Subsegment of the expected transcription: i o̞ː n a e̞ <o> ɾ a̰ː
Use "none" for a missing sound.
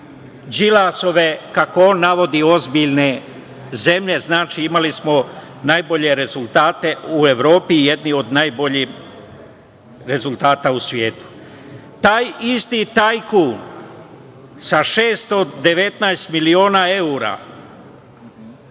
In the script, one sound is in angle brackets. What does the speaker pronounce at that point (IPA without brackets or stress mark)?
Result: u